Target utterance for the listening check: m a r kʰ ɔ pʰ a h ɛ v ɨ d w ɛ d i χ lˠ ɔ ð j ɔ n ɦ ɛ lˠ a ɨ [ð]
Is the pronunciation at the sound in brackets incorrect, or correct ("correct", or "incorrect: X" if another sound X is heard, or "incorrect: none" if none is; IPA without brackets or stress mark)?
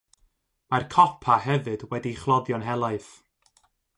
incorrect: θ